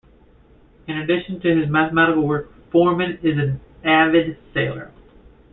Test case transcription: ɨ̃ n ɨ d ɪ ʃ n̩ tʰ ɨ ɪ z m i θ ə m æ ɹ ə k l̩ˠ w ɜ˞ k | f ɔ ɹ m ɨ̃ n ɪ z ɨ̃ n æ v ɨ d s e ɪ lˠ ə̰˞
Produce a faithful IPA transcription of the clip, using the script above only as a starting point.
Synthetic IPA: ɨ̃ n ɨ d ɪ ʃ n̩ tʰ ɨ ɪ z m æ θ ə m æ ɾ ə k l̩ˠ w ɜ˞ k | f ɔ ɹ m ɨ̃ n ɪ z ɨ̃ n æ v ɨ d s e ɪ lˠ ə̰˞